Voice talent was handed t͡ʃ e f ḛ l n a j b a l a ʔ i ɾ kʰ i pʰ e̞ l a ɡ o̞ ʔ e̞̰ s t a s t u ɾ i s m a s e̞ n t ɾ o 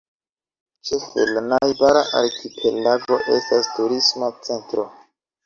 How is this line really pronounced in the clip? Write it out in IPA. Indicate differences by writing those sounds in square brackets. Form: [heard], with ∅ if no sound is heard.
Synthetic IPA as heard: t͡ʃ e f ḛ l n a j b a [ɾ] a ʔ [a] ɾ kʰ i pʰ e̞ l a ɡ o̞ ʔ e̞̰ s t a s t u ɾ i s m a [t͡s] e̞ n t ɾ o